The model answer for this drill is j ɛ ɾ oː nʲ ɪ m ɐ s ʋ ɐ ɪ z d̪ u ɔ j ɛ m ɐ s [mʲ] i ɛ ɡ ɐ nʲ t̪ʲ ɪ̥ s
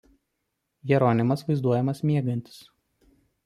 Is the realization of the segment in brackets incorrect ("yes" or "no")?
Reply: no